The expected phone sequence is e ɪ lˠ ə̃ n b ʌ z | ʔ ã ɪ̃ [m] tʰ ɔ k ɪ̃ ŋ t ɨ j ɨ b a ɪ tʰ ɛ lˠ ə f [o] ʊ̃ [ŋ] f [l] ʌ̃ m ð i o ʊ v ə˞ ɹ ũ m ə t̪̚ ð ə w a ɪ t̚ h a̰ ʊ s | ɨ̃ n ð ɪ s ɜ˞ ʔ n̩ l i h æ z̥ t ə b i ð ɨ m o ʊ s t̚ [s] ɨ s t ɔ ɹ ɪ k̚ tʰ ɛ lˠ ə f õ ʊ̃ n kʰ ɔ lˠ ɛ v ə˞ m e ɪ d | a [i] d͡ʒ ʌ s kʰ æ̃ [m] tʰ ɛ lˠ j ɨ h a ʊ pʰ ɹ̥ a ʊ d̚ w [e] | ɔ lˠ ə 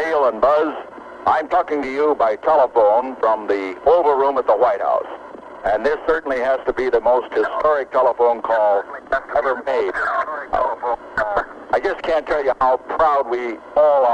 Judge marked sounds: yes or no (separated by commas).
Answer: yes, no, no, no, no, no, no, no